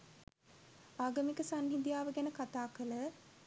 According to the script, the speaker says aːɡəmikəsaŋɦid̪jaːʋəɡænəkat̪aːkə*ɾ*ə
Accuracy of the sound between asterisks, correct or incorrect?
incorrect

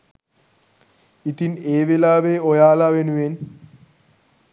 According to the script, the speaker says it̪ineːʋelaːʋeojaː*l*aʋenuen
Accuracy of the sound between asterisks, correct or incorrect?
correct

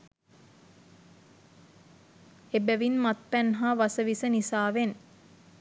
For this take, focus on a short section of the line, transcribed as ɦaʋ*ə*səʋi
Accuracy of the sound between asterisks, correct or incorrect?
incorrect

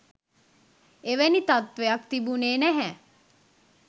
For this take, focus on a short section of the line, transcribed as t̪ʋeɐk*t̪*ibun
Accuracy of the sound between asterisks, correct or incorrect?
correct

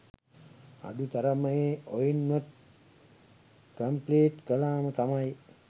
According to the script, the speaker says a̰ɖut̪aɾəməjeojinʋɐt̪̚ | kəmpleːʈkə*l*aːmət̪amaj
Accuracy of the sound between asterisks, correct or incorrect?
correct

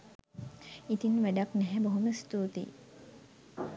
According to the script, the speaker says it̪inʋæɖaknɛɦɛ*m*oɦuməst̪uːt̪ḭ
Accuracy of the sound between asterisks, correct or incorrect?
incorrect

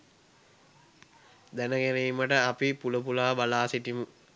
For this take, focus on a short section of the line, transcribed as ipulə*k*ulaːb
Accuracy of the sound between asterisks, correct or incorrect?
incorrect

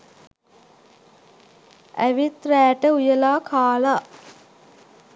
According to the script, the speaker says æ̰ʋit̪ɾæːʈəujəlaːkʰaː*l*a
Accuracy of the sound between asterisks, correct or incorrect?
correct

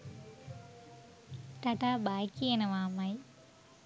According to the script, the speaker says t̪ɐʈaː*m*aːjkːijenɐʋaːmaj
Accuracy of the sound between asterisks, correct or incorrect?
incorrect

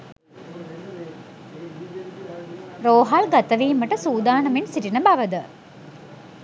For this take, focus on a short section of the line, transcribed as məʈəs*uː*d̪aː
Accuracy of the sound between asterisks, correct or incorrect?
correct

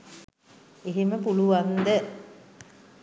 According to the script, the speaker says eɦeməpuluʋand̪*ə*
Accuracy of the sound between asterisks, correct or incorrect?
correct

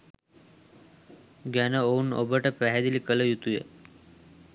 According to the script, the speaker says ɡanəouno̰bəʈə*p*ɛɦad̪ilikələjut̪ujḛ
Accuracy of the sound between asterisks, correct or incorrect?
correct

